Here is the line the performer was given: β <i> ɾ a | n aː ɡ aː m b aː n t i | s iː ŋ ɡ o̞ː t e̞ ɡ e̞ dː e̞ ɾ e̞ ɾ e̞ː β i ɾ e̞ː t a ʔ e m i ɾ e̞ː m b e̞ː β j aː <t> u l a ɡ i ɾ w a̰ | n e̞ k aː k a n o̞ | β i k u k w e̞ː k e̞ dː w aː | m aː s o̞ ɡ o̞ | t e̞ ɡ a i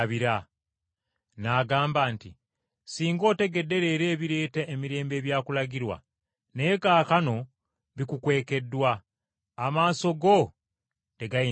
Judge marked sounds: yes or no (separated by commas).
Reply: yes, no